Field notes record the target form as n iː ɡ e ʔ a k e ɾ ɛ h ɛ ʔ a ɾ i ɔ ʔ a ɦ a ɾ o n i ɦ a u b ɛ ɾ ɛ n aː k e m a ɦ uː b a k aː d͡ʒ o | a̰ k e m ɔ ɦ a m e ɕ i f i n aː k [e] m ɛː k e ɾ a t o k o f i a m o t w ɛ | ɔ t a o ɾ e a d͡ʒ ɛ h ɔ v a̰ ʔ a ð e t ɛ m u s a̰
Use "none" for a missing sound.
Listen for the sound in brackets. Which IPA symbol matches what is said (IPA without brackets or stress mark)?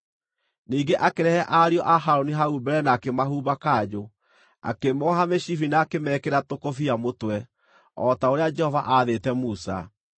e